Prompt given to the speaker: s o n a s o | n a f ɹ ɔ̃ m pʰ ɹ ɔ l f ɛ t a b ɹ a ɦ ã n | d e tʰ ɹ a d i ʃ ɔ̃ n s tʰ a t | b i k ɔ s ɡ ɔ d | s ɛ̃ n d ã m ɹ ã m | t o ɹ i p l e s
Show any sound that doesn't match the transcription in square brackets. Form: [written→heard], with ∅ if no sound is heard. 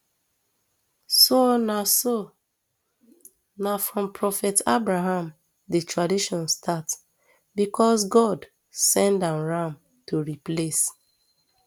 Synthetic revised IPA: s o n a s o | n a f ɹ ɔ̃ m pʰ ɹ ɔ [l→∅] f ɛ t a b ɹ a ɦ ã [n→m] | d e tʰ ɹ a d i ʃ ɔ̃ n s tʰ a t | b i k ɔ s ɡ ɔ d | s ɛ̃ n d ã [m→n] ɹ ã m | t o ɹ i p l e s